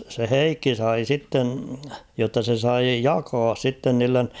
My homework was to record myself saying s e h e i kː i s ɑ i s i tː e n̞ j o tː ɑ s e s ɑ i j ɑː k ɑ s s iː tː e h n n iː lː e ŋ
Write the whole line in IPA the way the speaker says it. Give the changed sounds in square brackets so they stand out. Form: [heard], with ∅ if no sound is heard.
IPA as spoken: s e h e i kː i s ɑ i s i tː e n̞ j o tː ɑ s e s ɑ i j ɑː k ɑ s s [i] tː e [∅] n n iː lː e [n]

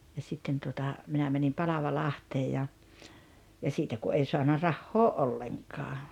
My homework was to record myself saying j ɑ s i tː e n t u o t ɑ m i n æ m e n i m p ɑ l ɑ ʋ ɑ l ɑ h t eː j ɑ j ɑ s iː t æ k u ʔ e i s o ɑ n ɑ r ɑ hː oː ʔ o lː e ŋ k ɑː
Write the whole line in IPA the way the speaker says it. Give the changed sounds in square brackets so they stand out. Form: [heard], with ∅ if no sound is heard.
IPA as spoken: j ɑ s i tː e n t u o t ɑ m i n æ m [æ] n i m p ɑ l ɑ ʋ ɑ l ɑ h t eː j ɑ j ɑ s iː t æ k u ʔ e i s o ɑ n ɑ r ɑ hː oː ʔ o lː e ŋ k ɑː

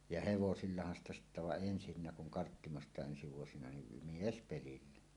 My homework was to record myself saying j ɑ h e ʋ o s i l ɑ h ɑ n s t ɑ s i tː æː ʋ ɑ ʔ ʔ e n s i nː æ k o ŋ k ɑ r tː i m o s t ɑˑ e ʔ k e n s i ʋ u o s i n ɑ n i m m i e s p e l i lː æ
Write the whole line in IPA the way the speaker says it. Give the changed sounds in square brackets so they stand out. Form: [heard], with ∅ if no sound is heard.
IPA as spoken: j ɑ h e ʋ o s i [lː] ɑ h ɑ n s t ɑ s i tː [æ] ʋ ɑ ʔ ʔ e n s i nː æ k [u] ŋ k ɑ r tː i m o s t ɑˑ e ʔ [ʔ] e n s i ʋ u o s i n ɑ n i m m i e s p e l i lː æ

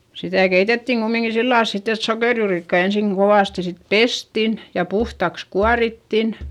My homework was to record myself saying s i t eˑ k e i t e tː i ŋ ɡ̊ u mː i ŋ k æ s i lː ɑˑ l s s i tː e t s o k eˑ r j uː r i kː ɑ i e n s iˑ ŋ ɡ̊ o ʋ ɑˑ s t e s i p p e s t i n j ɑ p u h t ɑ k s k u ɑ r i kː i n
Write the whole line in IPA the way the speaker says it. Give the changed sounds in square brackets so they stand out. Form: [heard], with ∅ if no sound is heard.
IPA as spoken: s i t [æˑ] k e i t e tː i ŋ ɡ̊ u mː i ŋ k [i] s i lː ɑˑ l s s i tː e t s o k eˑ r j uː r i kː ɑ i e n s iˑ ŋ ɡ̊ o ʋ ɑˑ s t [i] s i [t] p e s t i n j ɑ p u h t ɑ k s k u ɑ r i [tː] i n

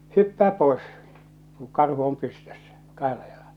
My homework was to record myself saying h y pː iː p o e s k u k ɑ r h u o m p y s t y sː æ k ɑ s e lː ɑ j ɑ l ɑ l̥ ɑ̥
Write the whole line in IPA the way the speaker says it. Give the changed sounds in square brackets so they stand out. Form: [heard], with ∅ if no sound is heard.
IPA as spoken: h y pː [æː] p o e s k u k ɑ r h u o m p y s t [ø] sː æ k ɑ [h] e lː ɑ j ɑ l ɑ l̥ ɑ̥

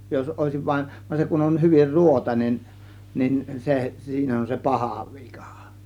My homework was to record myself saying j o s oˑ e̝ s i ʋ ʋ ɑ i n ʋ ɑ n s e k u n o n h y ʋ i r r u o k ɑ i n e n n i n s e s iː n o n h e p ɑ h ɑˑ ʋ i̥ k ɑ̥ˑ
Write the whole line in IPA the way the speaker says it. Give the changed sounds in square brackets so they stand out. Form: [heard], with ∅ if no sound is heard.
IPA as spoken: j o s oˑ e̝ s i ʋ ʋ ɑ i n ʋ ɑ n s e k u n o n h y ʋ i r r u o [t] ɑ i n e n n i n s e s iː n o n [s] e p ɑ h ɑˑ ʋ i̥ k ɑ̥ˑ

